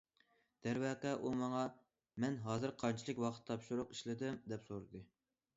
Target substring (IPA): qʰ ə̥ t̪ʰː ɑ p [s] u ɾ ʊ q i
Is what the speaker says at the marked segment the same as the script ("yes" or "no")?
no